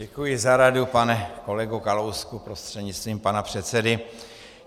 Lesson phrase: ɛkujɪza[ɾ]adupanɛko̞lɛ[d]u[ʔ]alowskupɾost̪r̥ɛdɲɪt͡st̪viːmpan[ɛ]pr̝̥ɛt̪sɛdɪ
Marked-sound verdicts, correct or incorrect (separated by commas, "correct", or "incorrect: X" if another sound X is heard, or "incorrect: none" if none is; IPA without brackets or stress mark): correct, incorrect: ɡ, incorrect: k, incorrect: a